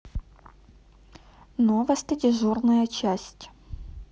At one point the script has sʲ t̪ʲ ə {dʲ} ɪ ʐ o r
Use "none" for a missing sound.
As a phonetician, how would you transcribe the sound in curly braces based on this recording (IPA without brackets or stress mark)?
dʲ